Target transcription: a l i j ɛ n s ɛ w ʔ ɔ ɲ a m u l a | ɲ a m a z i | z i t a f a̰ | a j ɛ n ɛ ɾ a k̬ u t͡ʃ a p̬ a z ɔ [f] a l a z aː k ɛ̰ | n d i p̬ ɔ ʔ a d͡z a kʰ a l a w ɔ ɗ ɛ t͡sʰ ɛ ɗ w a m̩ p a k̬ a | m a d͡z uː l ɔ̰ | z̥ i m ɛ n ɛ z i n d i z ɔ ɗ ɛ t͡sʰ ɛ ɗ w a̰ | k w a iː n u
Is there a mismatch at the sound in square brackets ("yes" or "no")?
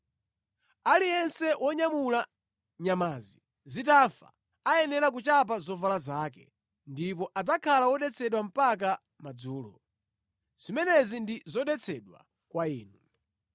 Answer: yes